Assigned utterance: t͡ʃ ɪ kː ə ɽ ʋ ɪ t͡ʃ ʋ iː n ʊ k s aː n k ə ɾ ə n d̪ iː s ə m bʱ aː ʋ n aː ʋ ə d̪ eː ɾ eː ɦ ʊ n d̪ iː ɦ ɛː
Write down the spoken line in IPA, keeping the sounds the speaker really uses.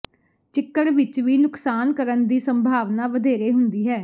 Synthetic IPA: t͡ʃ ɪ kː ə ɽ ʋ ɪ t͡ʃ ʋ iː n ʊ k s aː n k ə ɾ ə n d̪ iː s ə m bʱ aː ʋ n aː ʋ ə d̪ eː ɾ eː ɦ ʊ n d̪ iː ɦ ɛː